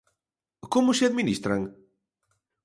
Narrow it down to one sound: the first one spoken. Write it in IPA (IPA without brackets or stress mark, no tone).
k